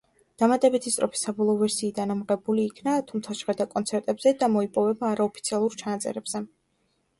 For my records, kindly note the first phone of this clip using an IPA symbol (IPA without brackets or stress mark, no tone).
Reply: d̪̥